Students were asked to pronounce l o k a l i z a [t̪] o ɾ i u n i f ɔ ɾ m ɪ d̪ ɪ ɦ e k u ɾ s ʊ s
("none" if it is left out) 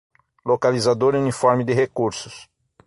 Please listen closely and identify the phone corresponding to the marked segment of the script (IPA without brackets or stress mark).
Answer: d̪